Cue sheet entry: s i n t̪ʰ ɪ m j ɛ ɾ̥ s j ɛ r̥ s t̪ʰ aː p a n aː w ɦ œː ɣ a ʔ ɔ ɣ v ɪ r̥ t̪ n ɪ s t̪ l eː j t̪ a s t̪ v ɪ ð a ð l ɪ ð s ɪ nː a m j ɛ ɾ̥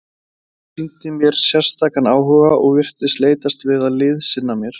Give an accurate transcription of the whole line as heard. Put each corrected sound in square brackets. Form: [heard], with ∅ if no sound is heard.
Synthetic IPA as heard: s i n [t̪] ɪ m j ɛ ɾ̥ s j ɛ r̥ s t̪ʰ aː [k] a n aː w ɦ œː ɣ a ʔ ɔ ɣ v ɪ r̥ t̪ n ɪ s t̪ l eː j t̪ a s t̪ v ɪ ð a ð l ɪ ð s ɪ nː a m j ɛ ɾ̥

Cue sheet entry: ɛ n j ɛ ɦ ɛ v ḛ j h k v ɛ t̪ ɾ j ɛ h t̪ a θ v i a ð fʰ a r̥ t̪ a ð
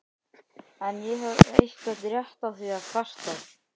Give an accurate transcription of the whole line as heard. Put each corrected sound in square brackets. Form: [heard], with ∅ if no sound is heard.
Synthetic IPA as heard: ɛ n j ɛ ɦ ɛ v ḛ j h k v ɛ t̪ ɾ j ɛ h t̪ a θ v i a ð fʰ a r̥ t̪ a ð

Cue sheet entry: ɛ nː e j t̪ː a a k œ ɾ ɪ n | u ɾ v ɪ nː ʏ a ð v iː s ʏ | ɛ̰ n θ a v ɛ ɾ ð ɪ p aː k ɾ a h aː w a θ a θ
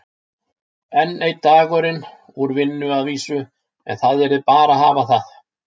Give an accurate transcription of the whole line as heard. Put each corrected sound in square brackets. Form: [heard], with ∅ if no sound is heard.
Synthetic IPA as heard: ɛ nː e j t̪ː a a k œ ɾ ɪ n | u ɾ v ɪ nː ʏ a ð v iː s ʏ | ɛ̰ n θ a [ð] ɛ ɾ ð ɪ p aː [∅] ɾ a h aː [v] a θ a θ

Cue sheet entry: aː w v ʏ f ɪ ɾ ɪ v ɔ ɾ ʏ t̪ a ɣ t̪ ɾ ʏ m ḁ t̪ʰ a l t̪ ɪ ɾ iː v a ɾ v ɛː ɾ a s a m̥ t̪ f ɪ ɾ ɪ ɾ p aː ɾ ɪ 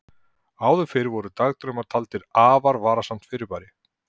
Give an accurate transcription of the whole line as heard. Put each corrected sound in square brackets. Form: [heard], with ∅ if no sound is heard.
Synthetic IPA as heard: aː w [ð] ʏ f ɪ ɾ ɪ v ɔ ɾ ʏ t̪ a ɣ t̪ ɾ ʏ m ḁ t̪ʰ a l t̪ ɪ ɾ [aː] v a ɾ v [aː] ɾ a s a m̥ t̪ f ɪ ɾ ɪ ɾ p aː ɾ ɪ

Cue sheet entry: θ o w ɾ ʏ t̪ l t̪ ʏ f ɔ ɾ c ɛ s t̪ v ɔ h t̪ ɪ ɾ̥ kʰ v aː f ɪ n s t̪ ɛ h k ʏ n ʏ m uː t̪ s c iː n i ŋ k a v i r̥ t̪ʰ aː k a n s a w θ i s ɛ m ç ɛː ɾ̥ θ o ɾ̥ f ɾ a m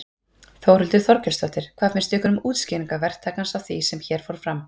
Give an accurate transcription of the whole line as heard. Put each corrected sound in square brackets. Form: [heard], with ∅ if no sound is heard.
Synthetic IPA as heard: θ o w ɾ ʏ [∅] l t̪ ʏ [θ] ɔ ɾ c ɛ s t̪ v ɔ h t̪ ɪ ɾ̥ kʰ v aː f ɪ n s t̪ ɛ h k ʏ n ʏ m uː t̪ s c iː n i ŋ k a v [ɛ] r̥ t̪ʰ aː k a n s a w θ i s ɛ m ç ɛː ɾ̥ [f] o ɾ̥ f ɾ a m

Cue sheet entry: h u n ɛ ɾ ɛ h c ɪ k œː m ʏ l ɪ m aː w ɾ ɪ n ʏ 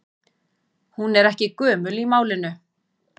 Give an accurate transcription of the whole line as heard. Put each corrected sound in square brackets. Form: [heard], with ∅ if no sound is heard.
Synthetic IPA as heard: h u n ɛ ɾ ɛ h c ɪ k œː m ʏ l [i] m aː w [l] ɪ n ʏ

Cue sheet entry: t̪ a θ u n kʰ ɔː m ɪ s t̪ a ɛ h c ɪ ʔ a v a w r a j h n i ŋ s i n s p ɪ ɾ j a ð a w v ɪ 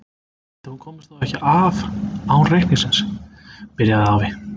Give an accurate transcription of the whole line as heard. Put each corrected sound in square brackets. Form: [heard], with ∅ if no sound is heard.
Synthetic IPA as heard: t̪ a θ u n kʰ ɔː m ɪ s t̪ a ɛ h c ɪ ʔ a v a w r [e] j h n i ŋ s [ɪ] n s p ɪ ɾ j a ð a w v ɪ

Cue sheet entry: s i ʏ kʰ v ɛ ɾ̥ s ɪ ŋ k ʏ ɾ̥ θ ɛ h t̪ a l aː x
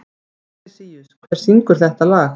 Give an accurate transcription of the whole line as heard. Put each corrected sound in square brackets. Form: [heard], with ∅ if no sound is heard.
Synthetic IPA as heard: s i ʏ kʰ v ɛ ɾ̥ s [i] ŋ k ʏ ɾ̥ θ ɛ h t̪ a l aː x

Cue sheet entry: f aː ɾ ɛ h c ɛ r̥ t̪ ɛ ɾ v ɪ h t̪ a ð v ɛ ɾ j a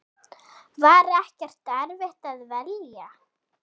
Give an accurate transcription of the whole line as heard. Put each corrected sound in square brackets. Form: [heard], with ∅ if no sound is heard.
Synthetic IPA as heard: [v] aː ɾ ɛ h c ɛ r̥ t̪ ɛ ɾ v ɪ h t̪ a ð v ɛ [l] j a

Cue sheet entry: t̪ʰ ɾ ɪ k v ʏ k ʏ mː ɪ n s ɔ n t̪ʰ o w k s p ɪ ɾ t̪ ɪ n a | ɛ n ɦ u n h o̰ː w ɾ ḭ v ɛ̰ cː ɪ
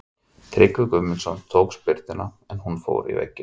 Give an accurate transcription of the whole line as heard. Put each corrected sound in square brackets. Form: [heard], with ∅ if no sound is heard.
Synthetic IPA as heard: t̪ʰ ɾ ɪ k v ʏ k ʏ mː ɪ n s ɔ n t̪ʰ o w k s p ɪ ɾ t̪ ɪ n a | ɛ n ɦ u n [f] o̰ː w ɾ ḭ v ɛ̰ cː ɪ

